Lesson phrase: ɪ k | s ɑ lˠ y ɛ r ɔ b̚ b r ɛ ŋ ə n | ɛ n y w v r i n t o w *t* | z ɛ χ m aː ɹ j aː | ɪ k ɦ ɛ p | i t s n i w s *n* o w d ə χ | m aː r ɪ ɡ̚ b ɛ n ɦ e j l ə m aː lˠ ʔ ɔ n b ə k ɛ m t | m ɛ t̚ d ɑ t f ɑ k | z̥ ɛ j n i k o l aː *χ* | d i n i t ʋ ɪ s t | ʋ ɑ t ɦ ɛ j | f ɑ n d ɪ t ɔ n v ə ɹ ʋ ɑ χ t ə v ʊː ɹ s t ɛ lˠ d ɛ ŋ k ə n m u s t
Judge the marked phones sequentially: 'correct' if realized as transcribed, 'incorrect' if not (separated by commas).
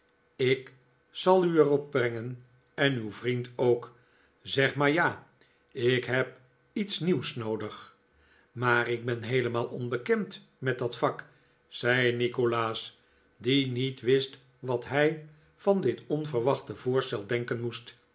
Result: incorrect, correct, incorrect